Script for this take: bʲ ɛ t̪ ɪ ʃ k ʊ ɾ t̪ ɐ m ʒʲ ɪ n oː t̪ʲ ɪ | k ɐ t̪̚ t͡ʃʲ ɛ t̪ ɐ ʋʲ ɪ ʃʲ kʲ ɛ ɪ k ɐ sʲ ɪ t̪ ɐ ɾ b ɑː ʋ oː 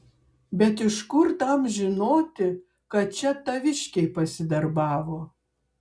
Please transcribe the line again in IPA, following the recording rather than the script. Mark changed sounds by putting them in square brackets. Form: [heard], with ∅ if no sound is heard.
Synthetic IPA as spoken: bʲ ɛ t̪ ɪ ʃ k ʊ ɾ t̪ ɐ m ʒʲ ɪ n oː t̪ʲ ɪ | k ɐ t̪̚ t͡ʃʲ ɛ t̪ ɐ ʋʲ ɪ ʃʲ kʲ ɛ ɪ [p] ɐ sʲ ɪ [d̪] ɐ ɾ b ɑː ʋ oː

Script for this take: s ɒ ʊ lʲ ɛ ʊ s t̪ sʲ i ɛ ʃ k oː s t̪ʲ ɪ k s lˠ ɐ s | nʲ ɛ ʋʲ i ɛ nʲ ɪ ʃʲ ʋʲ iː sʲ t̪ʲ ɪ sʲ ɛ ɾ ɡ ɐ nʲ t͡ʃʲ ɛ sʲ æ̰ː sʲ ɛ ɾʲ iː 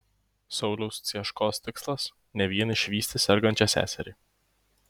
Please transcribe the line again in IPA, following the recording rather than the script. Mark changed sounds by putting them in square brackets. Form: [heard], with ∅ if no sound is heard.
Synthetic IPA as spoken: s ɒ ʊ lʲ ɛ ʊ s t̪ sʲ i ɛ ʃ k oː s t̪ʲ ɪ k s lˠ ɐ s | nʲ ɛ ʋʲ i ɛ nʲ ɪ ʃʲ ʋʲ iː sʲ t̪ʲ ɪ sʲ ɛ ɾ ɡ ɐ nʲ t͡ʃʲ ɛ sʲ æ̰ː sʲ ɛ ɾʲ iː

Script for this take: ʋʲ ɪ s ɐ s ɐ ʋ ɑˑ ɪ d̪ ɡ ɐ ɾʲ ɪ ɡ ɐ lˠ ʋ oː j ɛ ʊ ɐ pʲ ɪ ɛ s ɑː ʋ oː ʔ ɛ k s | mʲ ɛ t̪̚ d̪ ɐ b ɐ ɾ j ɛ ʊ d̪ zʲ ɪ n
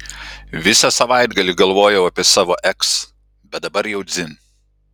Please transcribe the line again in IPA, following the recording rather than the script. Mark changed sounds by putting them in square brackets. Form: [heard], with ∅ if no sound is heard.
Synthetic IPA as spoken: ʋʲ ɪ s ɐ s ɐ ʋ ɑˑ ɪ d̪ ɡ ɐ [lʲ] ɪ ɡ ɐ lˠ ʋ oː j ɛ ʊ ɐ pʲ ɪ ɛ s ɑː ʋ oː ʔ ɛ k s | [bʲ] ɛ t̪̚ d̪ ɐ b ɐ ɾ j ɛ ʊ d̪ zʲ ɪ n

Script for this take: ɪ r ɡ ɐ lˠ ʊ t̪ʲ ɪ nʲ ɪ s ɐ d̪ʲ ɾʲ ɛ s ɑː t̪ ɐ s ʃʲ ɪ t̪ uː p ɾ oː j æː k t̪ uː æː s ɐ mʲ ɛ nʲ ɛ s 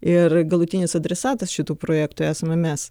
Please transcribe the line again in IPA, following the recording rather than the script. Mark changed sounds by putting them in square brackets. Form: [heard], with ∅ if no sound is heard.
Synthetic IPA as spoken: ɪ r ɡ ɐ lˠ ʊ t̪ʲ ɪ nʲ ɪ s ɐ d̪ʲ ɾʲ ɛ s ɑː t̪ ɐ s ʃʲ ɪ t̪ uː p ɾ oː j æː k t̪ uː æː s ɐ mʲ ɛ [mʲ] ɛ s

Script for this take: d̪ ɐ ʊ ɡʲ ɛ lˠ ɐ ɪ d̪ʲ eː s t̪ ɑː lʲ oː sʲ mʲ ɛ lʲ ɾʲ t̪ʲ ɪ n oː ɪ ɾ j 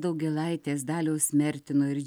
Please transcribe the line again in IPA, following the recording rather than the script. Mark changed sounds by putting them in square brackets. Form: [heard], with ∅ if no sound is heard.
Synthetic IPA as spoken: d̪ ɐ ʊ ɡʲ ɛ lˠ ɐ ɪ [t̪ʲ] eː s [d̪] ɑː lʲ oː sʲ mʲ ɛ [∅] ɾʲ t̪ʲ ɪ n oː ɪ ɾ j

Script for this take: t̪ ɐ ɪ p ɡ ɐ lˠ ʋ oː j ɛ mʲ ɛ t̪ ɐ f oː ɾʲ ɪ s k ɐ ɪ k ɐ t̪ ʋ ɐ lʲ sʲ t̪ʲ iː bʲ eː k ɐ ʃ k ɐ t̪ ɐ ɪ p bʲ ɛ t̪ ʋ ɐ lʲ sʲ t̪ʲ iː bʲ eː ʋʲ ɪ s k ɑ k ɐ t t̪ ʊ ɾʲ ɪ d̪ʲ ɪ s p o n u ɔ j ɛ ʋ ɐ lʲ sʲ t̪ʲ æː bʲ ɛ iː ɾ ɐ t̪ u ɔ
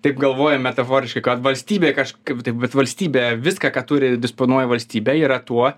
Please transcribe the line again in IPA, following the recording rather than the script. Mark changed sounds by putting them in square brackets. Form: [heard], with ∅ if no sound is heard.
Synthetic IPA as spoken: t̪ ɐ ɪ p ɡ ɐ lˠ ʋ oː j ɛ mʲ ɛ t̪ ɐ f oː ɾʲ ɪ [ʃ] k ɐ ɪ k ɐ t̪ ʋ ɐ lʲ sʲ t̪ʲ iː bʲ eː k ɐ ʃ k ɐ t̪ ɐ ɪ p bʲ ɛ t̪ ʋ ɐ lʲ sʲ t̪ʲ iː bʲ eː ʋʲ ɪ s k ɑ k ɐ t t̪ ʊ ɾʲ ɪ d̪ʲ ɪ s p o n u ɔ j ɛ ʋ ɐ lʲ sʲ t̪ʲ [iː] bʲ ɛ iː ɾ ɐ t̪ u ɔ

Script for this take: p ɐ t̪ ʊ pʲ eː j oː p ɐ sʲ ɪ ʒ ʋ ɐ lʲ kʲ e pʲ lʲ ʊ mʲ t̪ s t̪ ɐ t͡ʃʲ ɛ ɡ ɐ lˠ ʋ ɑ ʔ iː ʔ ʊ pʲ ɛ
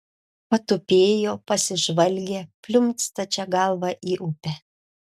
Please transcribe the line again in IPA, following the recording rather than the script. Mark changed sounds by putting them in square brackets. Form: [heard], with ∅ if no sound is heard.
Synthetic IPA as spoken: p ɐ t̪ ʊ pʲ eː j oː p ɐ sʲ ɪ ʒ ʋ ɐ lʲ [ɡʲ] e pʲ lʲ ʊ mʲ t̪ s t̪ ɐ t͡ʃʲ ɛ ɡ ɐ lˠ ʋ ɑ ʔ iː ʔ ʊ pʲ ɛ

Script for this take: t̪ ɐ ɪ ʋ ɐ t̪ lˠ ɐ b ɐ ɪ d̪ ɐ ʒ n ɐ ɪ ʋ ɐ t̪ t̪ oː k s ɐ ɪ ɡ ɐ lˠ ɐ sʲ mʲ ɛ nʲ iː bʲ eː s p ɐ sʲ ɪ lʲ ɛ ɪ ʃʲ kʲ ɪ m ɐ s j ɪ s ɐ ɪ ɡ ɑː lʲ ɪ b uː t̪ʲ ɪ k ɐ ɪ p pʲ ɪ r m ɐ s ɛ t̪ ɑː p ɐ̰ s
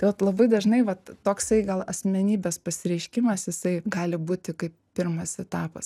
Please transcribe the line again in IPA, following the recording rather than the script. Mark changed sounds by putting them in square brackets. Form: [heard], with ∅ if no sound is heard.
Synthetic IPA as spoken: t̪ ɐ ɪ ʋ ɐ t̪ lˠ ɐ b ɐ ɪ d̪ ɐ ʒ n ɐ ɪ ʋ ɐ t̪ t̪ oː k s ɐ ɪ ɡ ɐ lˠ ɐ sʲ mʲ ɛ nʲ iː bʲ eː s p ɐ sʲ ɪ [ɾʲ] ɛ ɪ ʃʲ kʲ ɪ m ɐ s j ɪ s ɐ ɪ ɡ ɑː lʲ ɪ b uː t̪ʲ ɪ k ɐ ɪ p pʲ ɪ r m ɐ s ɛ t̪ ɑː p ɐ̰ s

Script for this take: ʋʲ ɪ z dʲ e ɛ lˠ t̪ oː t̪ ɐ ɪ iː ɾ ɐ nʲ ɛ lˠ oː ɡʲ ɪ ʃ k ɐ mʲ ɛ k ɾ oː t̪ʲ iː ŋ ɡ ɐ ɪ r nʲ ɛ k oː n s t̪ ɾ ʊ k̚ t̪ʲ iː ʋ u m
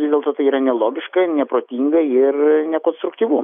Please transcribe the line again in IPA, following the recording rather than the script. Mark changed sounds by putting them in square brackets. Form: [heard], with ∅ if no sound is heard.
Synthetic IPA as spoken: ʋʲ ɪ z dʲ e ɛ lˠ t̪ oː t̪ ɐ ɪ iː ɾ ɐ nʲ ɛ lˠ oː ɡʲ ɪ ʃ k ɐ [nʲ] ɛ [p] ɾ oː t̪ʲ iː ŋ ɡ ɐ ɪ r nʲ ɛ k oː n s t̪ ɾ ʊ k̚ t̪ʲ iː ʋ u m

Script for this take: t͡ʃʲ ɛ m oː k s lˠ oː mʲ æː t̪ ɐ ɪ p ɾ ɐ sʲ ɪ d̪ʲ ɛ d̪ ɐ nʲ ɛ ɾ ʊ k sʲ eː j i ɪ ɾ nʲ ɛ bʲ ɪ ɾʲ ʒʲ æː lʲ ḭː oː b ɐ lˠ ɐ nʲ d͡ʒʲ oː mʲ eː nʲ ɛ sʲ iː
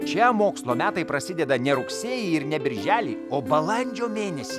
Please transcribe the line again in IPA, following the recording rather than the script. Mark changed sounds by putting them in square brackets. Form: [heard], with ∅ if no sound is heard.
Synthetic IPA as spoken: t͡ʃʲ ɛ m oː k s lˠ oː mʲ æː t̪ ɐ ɪ p ɾ ɐ sʲ ɪ d̪ʲ ɛ d̪ ɐ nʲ ɛ ɾ ʊ k sʲ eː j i ɪ ɾ nʲ ɛ bʲ ɪ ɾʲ ʒʲ æː lʲ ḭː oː b ɐ lˠ ɐ nʲ d͡ʒʲ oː mʲ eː nʲ ɛ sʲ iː

